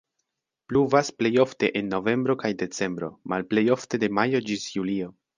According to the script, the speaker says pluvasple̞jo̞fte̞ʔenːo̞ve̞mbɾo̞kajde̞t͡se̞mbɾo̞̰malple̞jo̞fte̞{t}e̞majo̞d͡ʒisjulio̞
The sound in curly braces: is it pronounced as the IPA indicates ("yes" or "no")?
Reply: no